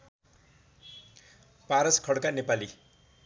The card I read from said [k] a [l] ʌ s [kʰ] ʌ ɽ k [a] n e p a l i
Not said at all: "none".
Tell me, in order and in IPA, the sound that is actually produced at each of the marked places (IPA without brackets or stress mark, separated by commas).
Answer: p, ɾ, kʰ, a